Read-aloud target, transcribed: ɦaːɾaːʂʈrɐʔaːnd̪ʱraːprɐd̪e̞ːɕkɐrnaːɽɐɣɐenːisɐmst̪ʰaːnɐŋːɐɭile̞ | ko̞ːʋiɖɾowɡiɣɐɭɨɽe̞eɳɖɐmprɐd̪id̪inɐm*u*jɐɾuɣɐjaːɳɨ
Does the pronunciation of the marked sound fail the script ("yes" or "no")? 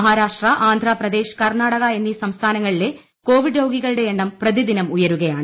no